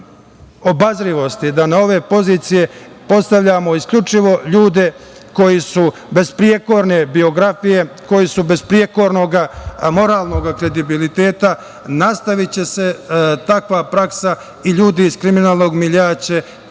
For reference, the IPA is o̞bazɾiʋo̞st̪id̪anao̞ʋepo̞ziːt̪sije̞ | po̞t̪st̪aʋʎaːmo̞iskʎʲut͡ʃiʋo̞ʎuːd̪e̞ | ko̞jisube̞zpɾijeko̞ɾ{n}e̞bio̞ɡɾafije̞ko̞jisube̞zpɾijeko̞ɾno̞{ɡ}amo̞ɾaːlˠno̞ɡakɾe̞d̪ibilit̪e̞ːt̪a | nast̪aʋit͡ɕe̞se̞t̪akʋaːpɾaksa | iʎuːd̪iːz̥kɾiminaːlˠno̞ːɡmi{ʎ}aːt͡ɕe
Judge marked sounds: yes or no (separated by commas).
yes, yes, yes